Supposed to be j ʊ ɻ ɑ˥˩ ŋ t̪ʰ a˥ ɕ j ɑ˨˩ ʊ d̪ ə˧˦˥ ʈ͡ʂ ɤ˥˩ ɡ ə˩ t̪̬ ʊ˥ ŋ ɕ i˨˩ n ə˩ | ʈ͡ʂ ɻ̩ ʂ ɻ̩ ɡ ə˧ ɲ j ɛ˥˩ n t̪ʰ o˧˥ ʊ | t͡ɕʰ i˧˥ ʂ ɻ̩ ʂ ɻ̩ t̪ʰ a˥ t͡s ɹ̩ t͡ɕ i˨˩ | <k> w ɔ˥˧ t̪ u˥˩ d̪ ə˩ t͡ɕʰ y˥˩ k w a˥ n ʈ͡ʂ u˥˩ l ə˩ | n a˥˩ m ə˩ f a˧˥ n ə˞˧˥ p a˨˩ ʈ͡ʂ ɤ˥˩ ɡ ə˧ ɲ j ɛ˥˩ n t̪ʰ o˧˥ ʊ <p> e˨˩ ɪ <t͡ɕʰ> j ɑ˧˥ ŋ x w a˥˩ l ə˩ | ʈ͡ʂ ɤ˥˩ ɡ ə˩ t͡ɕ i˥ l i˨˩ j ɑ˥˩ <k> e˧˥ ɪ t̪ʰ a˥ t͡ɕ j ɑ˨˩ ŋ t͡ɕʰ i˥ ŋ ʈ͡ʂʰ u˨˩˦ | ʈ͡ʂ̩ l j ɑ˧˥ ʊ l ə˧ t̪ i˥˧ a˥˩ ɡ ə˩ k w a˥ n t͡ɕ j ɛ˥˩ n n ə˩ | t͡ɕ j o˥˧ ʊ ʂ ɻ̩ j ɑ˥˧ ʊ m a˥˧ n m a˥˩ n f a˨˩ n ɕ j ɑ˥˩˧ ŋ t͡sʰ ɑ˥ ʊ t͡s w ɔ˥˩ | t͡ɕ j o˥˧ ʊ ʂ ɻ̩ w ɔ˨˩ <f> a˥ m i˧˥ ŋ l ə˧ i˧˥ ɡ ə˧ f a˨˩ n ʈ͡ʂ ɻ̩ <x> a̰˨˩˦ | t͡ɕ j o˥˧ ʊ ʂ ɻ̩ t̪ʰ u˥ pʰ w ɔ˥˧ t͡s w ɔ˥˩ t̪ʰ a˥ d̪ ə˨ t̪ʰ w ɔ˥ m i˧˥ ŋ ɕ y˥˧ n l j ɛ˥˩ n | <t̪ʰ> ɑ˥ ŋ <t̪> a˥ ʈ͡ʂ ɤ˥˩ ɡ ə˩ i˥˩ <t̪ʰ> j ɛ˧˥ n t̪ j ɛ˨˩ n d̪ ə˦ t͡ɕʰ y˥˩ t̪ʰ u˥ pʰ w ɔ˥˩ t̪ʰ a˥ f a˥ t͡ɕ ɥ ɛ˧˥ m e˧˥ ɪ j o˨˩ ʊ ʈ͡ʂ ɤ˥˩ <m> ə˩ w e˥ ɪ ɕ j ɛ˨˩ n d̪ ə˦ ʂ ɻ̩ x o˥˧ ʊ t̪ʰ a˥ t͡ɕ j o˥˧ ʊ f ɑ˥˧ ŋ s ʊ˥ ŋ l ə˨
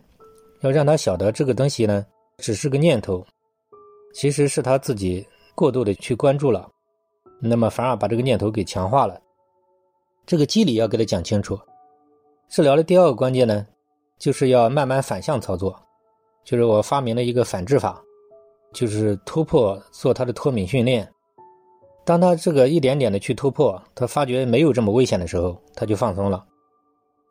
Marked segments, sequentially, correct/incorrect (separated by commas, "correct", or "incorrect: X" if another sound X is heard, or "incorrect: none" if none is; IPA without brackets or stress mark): correct, incorrect: k, correct, correct, correct, incorrect: f, incorrect: t̪, incorrect: t̪ʰ, incorrect: t̪, correct